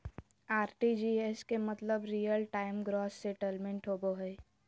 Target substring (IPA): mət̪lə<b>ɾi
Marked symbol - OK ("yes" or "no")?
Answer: yes